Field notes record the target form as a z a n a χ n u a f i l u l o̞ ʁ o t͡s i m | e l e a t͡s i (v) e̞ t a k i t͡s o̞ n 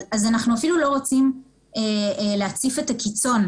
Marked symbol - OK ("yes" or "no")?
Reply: no